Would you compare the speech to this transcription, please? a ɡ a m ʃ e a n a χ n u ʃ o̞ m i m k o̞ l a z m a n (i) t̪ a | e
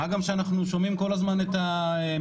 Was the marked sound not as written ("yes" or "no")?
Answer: yes